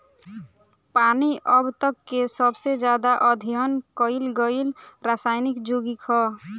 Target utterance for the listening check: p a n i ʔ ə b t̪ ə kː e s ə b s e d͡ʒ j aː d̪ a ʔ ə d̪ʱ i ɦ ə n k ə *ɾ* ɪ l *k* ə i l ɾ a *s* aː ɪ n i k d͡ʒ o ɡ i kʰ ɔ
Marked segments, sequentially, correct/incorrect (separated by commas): incorrect, incorrect, correct